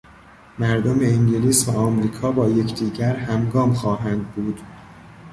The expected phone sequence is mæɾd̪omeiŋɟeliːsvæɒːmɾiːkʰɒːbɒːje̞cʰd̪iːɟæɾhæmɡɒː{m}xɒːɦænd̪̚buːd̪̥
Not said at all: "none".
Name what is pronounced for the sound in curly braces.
m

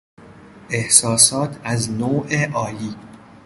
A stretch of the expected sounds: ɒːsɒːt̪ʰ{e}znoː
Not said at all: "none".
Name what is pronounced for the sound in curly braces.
æ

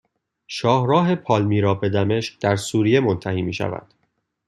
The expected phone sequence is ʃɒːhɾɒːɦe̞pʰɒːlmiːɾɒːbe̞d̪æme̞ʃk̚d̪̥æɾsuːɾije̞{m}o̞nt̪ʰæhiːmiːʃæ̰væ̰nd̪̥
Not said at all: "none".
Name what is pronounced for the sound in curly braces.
m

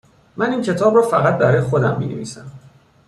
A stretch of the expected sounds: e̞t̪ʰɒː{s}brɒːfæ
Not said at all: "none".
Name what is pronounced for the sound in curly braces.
none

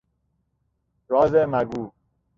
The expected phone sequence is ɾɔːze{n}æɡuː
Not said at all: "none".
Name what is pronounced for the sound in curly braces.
m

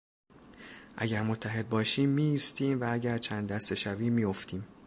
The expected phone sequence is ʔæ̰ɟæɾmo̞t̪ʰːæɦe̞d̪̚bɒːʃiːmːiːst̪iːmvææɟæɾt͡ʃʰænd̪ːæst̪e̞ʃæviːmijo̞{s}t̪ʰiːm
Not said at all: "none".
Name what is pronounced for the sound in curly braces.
f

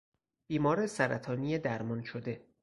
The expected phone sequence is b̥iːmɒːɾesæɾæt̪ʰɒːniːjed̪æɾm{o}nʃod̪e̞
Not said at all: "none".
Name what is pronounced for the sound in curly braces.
ɒ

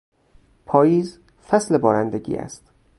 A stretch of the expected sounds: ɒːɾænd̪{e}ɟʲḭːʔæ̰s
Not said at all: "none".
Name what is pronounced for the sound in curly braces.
e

